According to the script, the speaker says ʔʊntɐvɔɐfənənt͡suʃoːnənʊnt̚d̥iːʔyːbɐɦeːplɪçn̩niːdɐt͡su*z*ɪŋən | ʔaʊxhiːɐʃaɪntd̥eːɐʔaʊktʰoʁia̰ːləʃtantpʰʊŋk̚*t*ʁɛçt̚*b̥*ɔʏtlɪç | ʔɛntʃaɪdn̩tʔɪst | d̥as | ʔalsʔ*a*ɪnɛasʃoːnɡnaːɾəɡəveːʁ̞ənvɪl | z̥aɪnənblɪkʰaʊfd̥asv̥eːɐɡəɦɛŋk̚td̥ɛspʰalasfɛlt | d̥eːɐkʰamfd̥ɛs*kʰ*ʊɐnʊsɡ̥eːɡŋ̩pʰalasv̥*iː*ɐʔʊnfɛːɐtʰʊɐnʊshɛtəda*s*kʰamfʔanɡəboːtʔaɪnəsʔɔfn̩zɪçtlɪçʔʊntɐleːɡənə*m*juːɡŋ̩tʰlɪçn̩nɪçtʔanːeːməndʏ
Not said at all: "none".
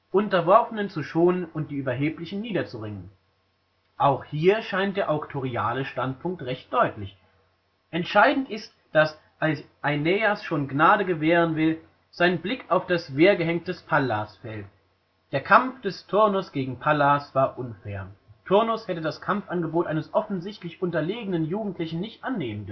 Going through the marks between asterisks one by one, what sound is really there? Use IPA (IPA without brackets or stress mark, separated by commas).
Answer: ʁ, t, d̥, a, tʰ, aː, s, n